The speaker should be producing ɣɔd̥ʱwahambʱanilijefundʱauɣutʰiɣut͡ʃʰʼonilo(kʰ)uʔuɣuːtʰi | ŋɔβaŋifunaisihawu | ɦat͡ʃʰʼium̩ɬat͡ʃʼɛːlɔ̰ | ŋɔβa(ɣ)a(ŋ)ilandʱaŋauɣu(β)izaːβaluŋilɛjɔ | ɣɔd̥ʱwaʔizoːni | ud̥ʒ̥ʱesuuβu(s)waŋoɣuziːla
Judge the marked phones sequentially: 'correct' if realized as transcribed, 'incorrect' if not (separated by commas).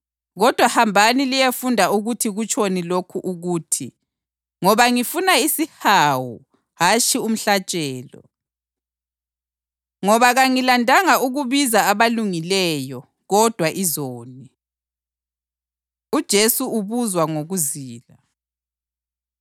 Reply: correct, correct, correct, correct, incorrect